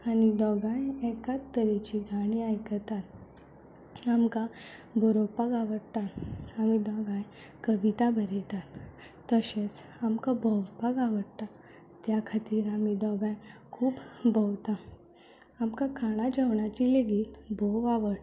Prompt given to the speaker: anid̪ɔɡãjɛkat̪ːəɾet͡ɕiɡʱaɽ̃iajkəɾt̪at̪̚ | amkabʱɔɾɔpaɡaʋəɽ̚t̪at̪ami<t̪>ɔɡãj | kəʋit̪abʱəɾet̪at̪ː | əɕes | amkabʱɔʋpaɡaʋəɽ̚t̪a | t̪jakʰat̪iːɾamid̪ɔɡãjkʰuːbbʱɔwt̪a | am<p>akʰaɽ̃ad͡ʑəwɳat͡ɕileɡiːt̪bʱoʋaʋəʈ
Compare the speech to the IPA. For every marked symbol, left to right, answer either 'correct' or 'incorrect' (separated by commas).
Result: incorrect, incorrect